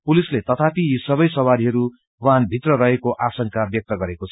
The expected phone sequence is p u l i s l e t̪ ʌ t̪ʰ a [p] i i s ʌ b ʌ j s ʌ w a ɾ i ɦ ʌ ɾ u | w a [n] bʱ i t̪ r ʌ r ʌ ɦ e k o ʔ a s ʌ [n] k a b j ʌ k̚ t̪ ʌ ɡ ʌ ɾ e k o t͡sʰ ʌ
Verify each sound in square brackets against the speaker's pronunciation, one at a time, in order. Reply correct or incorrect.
correct, correct, incorrect

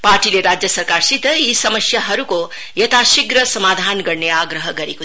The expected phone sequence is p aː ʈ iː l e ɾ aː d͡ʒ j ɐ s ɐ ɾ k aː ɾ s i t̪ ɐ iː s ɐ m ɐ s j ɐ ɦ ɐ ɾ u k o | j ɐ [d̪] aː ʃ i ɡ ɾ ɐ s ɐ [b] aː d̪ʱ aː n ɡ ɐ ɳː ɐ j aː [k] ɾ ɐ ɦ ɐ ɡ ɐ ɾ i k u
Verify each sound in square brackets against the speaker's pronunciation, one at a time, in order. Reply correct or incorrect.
incorrect, incorrect, incorrect

